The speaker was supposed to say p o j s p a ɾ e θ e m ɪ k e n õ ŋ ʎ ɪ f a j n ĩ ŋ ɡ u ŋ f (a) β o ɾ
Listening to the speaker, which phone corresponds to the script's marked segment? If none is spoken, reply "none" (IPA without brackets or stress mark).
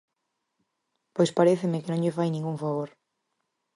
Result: a